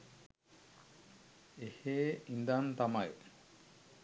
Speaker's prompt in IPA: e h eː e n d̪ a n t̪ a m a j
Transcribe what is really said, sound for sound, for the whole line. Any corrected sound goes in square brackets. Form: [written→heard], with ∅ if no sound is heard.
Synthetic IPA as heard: e h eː [e→i] n d̪ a n t̪ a m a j